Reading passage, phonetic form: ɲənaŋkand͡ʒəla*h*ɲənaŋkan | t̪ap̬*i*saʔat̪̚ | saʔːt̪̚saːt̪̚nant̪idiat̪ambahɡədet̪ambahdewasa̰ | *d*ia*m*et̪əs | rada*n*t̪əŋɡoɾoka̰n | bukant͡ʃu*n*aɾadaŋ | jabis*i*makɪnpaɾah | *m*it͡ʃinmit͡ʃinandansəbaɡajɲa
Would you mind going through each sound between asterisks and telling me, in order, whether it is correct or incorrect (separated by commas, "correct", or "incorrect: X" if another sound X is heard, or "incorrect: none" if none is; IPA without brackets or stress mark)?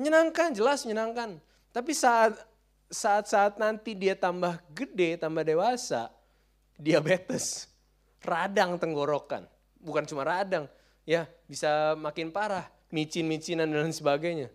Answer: incorrect: s, correct, correct, incorrect: b, incorrect: ŋ, incorrect: m, incorrect: a, correct